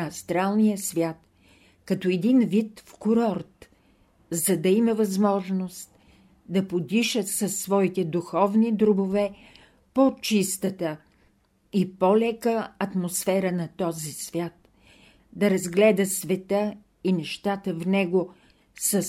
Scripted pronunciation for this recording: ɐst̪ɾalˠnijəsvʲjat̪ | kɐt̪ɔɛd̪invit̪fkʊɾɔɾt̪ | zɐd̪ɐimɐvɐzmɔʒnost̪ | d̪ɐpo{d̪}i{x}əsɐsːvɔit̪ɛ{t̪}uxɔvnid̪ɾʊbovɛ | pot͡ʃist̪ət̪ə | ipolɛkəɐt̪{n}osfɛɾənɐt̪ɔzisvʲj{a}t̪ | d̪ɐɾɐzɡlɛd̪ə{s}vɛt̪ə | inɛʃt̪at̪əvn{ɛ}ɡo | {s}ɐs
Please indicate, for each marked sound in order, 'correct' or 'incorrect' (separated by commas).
correct, incorrect, incorrect, incorrect, correct, correct, correct, correct